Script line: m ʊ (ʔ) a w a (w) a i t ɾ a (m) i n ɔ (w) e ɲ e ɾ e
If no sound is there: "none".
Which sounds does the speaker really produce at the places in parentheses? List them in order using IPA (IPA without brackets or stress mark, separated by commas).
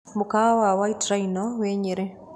k, w, none, w